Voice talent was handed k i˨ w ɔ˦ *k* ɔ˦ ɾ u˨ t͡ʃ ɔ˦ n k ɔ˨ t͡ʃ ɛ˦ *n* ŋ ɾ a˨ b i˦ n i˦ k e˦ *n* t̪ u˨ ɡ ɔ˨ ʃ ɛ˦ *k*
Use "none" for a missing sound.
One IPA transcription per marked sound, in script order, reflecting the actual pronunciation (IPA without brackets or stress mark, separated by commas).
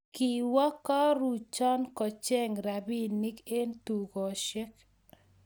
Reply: k, none, n, k